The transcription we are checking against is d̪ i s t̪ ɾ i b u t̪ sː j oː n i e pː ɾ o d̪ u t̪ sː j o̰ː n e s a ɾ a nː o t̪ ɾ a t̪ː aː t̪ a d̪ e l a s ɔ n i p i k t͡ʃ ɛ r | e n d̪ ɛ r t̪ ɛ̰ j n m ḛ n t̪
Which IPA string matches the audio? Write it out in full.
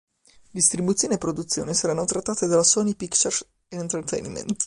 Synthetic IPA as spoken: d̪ i s t̪ ɾ i b u t̪ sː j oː n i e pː ɾ o d̪ u t̪ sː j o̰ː n e s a ɾ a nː o t̪ ɾ a t̪ː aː t̪ e d̪ a l a s ɔ n i p i k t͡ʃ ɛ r | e n t̪ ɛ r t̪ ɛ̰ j n m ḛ n t̪